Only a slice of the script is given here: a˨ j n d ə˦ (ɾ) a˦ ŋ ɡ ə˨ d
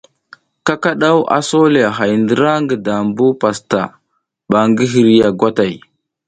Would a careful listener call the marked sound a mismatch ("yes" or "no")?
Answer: no